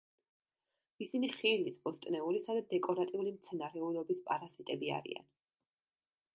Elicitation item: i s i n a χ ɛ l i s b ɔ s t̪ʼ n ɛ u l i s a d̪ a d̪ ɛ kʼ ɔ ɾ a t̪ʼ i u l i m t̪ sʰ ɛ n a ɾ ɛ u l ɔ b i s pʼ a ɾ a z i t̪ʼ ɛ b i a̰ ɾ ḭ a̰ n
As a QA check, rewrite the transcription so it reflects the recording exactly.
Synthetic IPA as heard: i s i n i χ i l i s b ɔ s t̪ʼ n ɛ u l i s a d̪ a d̪ ɛ kʼ ɔ ɾ a t̪ʼ i u l i m t̪ sʰ ɛ n a ɾ ɛ u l ɔ b i s pʼ a ɾ a z i t̪ʼ ɛ b i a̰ ɾ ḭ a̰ n